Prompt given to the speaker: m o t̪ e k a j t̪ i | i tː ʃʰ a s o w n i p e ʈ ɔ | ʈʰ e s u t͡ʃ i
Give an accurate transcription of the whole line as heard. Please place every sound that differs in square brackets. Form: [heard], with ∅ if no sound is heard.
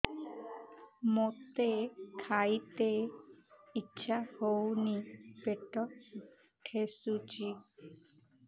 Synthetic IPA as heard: m o t̪ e [kʰ] a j t̪ [e] | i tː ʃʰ a [h] o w n i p e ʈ ɔ | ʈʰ e s u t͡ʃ i